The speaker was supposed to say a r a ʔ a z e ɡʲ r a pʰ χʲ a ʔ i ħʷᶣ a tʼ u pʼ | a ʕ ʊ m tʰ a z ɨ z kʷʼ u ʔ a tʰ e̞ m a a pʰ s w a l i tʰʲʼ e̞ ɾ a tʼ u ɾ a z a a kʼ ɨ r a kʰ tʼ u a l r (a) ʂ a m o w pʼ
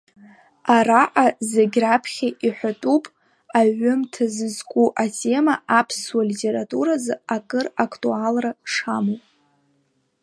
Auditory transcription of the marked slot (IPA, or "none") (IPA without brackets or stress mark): a